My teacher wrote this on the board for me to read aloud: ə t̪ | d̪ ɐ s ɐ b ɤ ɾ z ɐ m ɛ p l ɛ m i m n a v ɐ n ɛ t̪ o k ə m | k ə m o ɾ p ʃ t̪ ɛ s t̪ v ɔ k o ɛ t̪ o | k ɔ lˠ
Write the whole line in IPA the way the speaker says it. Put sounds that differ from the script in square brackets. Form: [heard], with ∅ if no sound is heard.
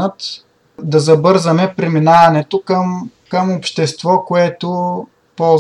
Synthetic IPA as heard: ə t̪ | d̪ ɐ [z] ɐ b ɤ ɾ z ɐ m ɛ p [ɾ] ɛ m i [∅] n a v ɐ n ɛ t̪ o k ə m | k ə m o [∅] p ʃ t̪ ɛ s t̪ v ɔ k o ɛ t̪ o | [p] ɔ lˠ